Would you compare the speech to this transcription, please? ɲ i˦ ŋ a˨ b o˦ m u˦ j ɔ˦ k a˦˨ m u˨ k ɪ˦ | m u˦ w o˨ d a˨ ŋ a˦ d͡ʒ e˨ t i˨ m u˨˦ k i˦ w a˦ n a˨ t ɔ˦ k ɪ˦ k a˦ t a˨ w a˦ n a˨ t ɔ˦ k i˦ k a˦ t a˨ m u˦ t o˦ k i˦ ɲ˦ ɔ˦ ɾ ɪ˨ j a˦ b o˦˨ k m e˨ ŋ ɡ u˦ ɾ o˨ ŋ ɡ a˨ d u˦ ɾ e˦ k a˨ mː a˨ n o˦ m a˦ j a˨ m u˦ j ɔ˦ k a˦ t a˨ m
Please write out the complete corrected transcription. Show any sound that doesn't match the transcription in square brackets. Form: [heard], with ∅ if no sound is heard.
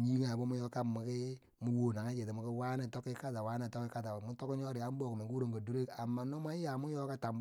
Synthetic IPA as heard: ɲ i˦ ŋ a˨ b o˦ m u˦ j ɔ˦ k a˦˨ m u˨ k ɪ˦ | m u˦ w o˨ [n] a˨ ŋ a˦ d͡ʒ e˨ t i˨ m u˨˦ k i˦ w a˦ n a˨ t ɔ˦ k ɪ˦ k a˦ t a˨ w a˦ n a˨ t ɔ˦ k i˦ k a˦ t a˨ m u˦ t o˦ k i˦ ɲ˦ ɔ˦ ɾ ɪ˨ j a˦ b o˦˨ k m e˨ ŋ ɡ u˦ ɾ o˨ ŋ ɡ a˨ d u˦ ɾ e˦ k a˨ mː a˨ n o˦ m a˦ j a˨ m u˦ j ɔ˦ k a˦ t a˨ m